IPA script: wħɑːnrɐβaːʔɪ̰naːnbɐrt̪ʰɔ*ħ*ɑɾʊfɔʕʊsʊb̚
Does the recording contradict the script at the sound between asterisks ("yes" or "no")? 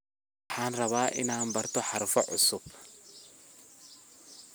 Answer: no